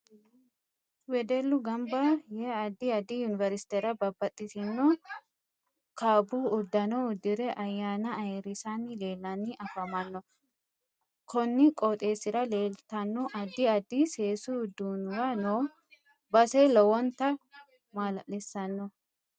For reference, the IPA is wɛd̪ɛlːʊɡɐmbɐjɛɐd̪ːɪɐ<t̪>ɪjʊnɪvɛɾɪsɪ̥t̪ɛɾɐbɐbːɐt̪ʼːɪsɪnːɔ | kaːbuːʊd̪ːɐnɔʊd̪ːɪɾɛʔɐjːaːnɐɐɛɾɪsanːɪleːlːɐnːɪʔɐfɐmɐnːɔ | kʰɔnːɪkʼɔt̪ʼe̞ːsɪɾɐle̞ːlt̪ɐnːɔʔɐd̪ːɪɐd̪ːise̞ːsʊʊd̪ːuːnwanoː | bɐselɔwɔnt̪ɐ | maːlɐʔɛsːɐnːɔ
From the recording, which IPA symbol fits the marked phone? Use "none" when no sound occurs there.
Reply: d̪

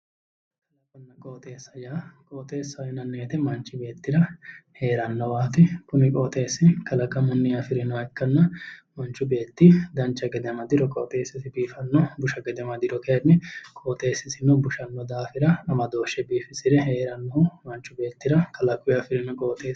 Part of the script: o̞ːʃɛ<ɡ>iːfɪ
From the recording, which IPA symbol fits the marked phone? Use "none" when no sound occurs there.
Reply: b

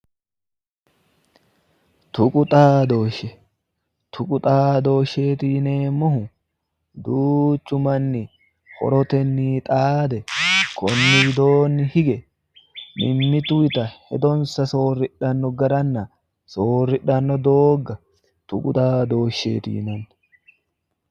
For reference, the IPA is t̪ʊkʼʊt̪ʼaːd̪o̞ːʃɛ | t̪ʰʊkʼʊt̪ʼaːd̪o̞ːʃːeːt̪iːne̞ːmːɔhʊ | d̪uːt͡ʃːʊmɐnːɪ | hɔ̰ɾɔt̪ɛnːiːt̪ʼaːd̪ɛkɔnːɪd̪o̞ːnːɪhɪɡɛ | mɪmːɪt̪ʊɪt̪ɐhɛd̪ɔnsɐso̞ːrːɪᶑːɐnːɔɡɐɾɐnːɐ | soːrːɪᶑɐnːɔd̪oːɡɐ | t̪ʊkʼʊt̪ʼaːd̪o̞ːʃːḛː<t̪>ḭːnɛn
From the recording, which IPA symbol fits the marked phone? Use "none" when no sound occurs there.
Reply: t̪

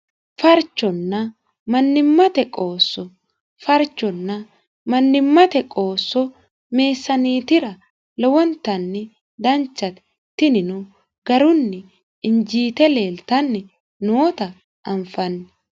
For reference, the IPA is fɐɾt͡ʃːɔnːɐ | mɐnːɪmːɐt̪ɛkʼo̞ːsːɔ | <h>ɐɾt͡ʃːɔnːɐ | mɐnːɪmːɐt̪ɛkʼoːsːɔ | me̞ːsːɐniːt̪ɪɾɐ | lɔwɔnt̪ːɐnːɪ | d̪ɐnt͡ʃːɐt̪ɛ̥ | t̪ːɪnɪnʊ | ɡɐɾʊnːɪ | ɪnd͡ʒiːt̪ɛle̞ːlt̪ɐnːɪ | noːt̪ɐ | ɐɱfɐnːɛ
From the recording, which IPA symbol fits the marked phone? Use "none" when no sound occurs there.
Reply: f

